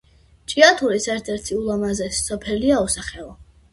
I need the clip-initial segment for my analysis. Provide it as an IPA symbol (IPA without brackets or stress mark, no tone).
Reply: t͡ʃʼ